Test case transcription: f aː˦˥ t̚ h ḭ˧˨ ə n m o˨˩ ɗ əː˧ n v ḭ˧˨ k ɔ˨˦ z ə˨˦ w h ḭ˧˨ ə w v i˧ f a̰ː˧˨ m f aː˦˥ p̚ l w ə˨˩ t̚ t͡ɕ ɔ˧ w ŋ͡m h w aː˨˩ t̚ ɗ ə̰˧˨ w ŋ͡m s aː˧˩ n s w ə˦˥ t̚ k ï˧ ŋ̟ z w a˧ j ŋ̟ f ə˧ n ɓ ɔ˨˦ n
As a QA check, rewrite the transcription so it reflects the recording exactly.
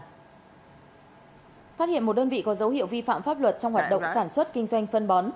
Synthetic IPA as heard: f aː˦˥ t̚ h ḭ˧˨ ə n m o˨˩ ɗ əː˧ n v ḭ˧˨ k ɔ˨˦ z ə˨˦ w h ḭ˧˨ ə w v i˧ f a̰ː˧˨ m f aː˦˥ p̚ l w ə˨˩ t̚ t͡ɕ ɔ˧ w ŋ͡m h w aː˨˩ t̚ ɗ ə̰˧˨ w ŋ͡m s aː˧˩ n s w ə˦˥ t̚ k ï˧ ŋ̟ z w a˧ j ŋ̟ f ə˧ n ɓ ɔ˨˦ n